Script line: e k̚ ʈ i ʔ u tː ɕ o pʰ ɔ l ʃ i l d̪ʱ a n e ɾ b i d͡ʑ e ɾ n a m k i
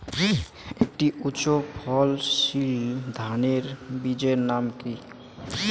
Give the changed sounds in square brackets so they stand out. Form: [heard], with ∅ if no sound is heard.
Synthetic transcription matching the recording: e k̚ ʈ i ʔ u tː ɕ o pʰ ɔ l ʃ i l d̪ʱ a n e ɾ b i d͡ʑ e ɾ n a m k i